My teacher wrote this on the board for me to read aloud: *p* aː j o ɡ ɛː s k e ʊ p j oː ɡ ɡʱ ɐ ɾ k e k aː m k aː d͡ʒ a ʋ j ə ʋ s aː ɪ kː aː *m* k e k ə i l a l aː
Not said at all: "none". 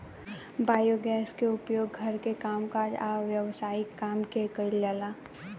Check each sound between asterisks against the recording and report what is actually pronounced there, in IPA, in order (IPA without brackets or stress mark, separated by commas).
b, m